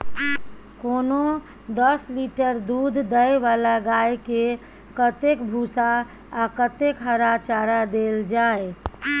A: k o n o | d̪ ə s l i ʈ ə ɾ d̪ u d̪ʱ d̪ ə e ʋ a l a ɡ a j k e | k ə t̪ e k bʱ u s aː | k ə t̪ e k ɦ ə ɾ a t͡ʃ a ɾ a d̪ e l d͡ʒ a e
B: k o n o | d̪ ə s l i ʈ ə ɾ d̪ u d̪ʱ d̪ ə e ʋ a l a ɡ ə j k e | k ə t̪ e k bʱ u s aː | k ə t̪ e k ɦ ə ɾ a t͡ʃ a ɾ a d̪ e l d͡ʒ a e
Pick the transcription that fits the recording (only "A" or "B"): A